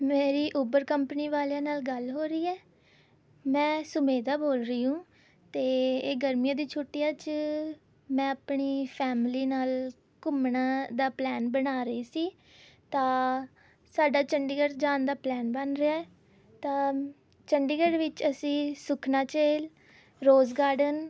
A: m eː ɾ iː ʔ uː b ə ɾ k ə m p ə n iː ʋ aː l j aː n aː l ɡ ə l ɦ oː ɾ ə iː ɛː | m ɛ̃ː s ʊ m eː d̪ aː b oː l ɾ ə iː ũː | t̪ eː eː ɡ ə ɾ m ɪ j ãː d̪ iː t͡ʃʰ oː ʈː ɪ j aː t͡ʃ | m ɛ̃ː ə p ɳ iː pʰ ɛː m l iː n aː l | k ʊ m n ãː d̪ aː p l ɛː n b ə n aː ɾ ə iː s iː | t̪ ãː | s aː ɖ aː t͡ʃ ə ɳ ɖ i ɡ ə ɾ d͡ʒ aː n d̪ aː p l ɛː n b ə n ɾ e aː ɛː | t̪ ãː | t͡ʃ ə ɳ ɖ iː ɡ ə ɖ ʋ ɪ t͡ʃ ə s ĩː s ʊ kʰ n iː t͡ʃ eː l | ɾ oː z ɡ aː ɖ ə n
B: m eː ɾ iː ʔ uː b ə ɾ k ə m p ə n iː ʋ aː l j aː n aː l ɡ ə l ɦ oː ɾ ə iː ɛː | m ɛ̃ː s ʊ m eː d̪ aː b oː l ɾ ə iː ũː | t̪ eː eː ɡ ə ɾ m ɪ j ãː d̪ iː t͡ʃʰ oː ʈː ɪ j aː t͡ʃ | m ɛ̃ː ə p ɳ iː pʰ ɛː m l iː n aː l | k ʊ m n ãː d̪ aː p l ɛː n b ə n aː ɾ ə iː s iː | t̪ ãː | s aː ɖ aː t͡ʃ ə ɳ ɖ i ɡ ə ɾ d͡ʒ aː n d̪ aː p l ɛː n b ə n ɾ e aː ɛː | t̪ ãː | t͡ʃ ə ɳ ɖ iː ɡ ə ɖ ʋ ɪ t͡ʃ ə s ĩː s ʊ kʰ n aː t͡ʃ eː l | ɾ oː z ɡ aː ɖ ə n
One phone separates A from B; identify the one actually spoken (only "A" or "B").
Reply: B